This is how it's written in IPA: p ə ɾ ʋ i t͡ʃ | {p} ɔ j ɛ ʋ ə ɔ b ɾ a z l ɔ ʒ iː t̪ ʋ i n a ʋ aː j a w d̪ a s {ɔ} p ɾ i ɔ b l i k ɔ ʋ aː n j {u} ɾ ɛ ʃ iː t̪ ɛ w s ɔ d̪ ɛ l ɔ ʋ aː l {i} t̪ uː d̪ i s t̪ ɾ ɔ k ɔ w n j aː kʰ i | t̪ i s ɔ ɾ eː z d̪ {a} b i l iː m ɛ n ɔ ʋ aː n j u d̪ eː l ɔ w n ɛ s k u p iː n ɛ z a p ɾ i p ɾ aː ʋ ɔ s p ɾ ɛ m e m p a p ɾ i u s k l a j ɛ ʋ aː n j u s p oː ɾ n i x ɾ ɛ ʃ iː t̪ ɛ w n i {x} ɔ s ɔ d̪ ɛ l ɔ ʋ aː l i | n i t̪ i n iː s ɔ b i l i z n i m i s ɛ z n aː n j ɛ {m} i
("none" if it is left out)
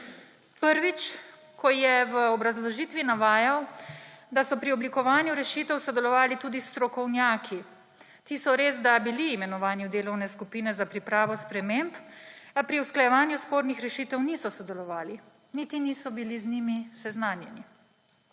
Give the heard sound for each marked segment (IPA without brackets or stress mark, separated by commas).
k, ɔ, u, i, a, s, n